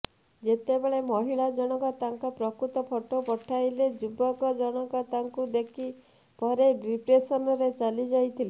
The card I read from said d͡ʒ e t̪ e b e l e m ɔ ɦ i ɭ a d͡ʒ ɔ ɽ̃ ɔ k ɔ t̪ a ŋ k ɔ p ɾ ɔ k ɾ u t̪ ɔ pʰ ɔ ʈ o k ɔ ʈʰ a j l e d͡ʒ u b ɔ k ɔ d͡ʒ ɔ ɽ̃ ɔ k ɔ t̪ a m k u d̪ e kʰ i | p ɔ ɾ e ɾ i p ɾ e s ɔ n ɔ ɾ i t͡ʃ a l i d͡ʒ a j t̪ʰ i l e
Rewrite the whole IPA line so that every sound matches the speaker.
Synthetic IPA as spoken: d͡ʒ e t̪ e b e ɭ e m ɔ ɦ i ɭ a d͡ʒ ɔ ɽ̃ ɔ k ɔ t̪ a ŋ k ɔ p ɾ ɔ k ɾ u t̪ ɔ pʰ ɔ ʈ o p ɔ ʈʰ a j l e d͡ʒ u b ɔ k ɔ d͡ʒ ɔ ɽ̃ ɔ k ɔ t̪ a ŋ k u d̪ e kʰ i | p ɔ ɾ e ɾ i p ɾ e s ɔ n ɔ ɾ e t͡ʃ a l i d͡ʒ a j t̪ʰ i l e

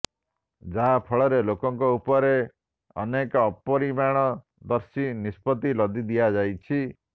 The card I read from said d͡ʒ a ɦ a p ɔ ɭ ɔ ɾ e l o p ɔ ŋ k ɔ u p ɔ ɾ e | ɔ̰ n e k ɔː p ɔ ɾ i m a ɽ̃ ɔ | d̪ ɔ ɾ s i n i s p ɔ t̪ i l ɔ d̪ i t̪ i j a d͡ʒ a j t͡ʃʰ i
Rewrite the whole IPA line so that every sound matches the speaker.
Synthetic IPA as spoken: d͡ʒ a ɦ a pʰ ɔ ɭ ɔ ɾ e l o k ɔ ŋ k ɔ u p ɔ ɾ e | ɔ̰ n e k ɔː p ɔ ɾ i m a ɽ̃ ɔ | d̪ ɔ ɾ s i n i s p ɔ t̪ i l ɔ d̪ i d̪ i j a d͡ʒ a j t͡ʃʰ i

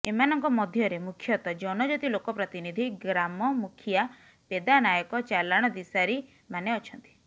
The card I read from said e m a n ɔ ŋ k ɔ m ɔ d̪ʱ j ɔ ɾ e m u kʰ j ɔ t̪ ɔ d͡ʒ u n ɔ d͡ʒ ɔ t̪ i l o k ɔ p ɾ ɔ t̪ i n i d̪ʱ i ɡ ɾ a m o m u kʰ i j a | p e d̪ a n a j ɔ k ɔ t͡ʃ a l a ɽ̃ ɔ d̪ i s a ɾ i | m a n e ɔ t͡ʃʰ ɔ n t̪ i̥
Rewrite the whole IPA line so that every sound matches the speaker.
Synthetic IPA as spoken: e m a n ɔ ŋ k ɔ m ɔ d̪ʱ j ɔ ɾ e m u kʰ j ɔ t̪ ɔ d͡ʒ ɔ n ɔ d͡ʒ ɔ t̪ i l o k ɔ p ɾ ɔ t̪ i n i d̪ʱ i ɡ ɾ a m ɔ m u kʰ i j a | p e d̪ a n a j ɔ k ɔ t͡ʃ a l a ɽ̃ ɔ d̪ i s a ɾ i | m a n e ɔ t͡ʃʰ ɔ n t̪ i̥

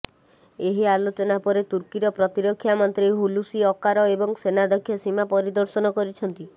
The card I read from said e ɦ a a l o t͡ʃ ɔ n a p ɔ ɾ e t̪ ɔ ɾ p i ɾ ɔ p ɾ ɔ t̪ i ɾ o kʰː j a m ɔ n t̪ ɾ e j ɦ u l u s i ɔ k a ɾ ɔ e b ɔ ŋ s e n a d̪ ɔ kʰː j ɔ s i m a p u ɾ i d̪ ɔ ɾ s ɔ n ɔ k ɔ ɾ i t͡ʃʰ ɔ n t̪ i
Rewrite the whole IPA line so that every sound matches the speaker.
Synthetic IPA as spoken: e ɦ i a l o t͡ʃ ɔ n a p ɔ ɾ e t̪ u ɾ k i ɾ ɔ p ɾ ɔ t̪ i ɾ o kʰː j a m ɔ n t̪ ɾ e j ɦ u l u s i ɔ k a ɾ ɔ e b ɔ ŋ s e n a d̪ ɔ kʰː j ɔ s i m a p ɔ ɾ i d̪ ɔ ɾ s ɔ n ɔ k ɔ ɾ i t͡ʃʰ ɔ n t̪ i

